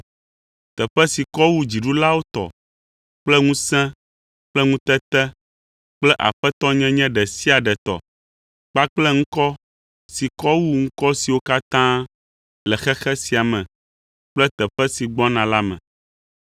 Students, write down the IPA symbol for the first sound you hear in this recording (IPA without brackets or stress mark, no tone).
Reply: t̪